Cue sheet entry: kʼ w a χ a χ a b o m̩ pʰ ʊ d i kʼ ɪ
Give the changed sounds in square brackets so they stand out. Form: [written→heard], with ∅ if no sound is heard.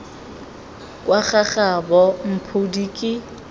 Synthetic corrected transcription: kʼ w a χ a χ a b [o→ɔ] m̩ pʰ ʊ d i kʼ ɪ

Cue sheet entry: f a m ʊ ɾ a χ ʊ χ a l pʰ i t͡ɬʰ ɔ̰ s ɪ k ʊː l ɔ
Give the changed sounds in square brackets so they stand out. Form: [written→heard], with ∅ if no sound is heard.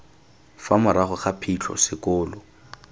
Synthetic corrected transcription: f a m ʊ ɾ a χ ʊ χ a [l→∅] pʰ i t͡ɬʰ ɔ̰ s ɪ k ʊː l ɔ

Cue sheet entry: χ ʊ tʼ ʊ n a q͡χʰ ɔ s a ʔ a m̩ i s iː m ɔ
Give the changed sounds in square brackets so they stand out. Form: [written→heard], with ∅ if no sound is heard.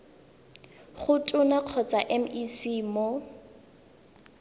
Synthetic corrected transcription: χ ʊ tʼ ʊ n a q͡χʰ ɔ [s→t͡s] a ʔ [a→ɛ] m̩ i s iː m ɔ

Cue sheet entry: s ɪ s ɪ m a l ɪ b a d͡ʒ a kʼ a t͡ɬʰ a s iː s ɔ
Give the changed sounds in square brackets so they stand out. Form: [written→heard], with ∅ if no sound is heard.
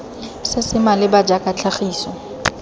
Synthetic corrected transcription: s ɪ s ɪ m a l ɪ b a d͡ʒ a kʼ a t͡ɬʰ a [s→χ] iː s ɔ

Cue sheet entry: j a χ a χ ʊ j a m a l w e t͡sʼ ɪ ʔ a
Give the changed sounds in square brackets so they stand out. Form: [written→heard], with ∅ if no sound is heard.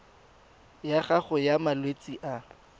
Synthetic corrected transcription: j a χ a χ ʊ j a m a l w e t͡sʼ [ɪ→i] ʔ a

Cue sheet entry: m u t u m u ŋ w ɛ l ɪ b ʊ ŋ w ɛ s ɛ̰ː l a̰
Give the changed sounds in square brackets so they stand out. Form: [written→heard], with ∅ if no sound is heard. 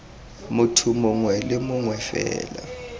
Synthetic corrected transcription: m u [t→tʰ] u m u ŋ w ɛ l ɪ [b→m] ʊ ŋ w ɛ [s→f] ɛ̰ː l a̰

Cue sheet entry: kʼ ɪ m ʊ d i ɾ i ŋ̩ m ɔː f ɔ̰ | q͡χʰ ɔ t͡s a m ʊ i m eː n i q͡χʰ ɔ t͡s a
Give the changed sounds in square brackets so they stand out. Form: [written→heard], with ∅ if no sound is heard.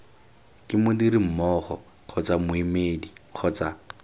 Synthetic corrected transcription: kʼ ɪ m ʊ d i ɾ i [ŋ̩→m̩] m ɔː [f→χ] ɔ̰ | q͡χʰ ɔ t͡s a m ʊ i m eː [n→d] i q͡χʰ ɔ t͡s a

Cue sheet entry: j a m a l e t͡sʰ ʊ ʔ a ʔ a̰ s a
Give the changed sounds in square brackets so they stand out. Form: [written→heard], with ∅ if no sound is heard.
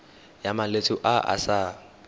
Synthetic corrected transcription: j a m a l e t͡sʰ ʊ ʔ a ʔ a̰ s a

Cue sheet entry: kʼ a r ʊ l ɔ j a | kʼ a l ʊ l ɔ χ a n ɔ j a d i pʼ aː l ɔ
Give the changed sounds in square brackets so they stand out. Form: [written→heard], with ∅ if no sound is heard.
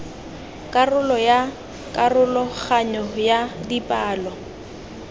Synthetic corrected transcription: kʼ a r ʊ l ɔ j a | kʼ a [l→r] ʊ l ɔ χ a [n→ɲ] ɔ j a d i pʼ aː l ɔ

